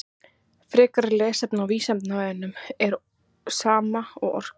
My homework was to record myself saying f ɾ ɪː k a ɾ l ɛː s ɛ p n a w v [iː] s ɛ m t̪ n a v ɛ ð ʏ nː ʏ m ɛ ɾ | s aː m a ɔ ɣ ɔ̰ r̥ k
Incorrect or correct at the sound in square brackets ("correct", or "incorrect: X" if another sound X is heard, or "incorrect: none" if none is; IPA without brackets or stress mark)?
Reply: correct